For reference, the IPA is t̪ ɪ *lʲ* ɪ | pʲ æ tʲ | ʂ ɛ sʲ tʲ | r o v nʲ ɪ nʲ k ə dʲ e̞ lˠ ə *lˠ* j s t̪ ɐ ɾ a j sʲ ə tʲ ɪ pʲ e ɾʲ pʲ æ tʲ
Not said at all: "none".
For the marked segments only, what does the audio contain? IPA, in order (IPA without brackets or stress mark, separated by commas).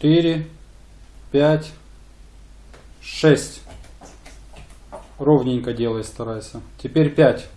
ɾʲ, none